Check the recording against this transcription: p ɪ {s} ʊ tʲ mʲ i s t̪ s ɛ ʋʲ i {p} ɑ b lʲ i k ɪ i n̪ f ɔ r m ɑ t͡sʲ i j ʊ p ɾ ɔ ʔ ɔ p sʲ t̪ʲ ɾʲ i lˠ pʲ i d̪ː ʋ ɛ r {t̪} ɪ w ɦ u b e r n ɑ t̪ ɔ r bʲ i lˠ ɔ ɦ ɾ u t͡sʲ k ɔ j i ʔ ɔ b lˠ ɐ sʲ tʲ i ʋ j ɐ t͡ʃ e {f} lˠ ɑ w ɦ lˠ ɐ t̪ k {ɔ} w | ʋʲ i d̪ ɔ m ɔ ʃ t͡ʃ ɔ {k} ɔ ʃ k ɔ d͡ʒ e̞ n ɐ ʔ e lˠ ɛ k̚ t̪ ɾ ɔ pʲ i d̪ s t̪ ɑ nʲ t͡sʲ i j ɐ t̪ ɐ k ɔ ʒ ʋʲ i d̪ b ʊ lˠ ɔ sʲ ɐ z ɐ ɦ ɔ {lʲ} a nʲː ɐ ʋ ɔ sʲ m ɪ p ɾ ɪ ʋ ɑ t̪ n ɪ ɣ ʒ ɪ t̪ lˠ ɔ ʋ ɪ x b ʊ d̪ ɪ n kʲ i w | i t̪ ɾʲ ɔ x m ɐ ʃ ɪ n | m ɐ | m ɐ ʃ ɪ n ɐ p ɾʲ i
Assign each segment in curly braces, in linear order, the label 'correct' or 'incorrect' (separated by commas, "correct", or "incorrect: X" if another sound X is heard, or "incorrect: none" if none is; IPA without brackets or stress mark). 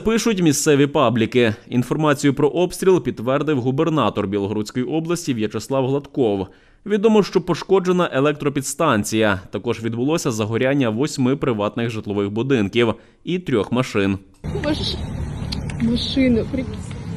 incorrect: ʃ, correct, incorrect: d̪, incorrect: s, correct, incorrect: p, incorrect: ɾʲ